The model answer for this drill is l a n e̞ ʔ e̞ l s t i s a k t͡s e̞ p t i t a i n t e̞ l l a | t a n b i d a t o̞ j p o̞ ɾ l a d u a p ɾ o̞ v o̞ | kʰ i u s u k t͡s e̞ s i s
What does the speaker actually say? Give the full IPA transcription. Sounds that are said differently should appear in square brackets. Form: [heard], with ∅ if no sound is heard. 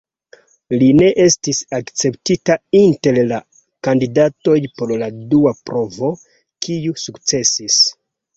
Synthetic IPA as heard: l [i] n e̞ ʔ e̞ [∅] s t i s a k t͡s e̞ p t i t a i n t e̞ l l a | [k] a n [d] i d a t o̞ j p o̞ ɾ l a d u a p ɾ o̞ v o̞ | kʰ i u s u k t͡s e̞ s i s